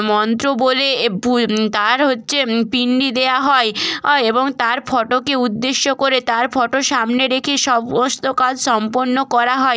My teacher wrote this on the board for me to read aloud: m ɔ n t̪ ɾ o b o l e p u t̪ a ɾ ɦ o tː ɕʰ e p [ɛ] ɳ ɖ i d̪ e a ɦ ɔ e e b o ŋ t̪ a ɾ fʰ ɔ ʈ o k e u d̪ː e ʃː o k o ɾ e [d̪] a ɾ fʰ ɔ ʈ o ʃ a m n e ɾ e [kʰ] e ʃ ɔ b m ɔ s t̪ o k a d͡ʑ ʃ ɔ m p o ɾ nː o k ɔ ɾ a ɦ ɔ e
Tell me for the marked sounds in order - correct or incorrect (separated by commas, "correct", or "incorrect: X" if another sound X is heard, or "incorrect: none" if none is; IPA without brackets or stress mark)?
incorrect: i, incorrect: t̪, correct